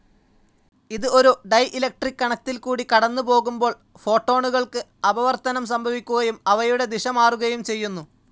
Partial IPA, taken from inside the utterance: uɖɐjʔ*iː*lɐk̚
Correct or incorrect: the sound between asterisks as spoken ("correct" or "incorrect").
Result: incorrect